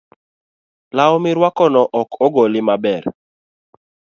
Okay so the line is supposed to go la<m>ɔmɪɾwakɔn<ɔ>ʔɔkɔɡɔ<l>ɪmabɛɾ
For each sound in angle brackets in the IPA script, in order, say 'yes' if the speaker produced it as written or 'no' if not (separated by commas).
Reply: no, yes, yes